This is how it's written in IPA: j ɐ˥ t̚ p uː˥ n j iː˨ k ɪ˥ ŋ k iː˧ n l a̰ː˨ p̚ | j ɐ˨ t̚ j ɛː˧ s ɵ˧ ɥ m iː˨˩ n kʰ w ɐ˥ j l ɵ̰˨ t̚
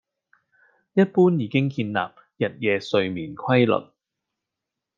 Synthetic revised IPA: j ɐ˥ t̚ p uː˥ n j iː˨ k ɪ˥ ŋ k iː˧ n l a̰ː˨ p̚ | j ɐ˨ t̚ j ɛː˧ s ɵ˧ ɥ m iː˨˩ n kʰ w ɐ˥ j l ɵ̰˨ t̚